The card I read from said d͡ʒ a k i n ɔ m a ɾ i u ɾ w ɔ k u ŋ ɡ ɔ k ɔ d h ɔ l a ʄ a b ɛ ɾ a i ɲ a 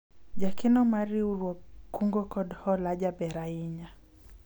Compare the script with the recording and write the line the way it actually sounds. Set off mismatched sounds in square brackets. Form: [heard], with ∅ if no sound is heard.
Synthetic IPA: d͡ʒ a k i n ɔ m a ɾ i u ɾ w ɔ k u ŋ ɡ ɔ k ɔ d h ɔ l a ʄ a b ɛ ɾ a i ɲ a